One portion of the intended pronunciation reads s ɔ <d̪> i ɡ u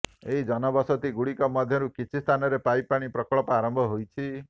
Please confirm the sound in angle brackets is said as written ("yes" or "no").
no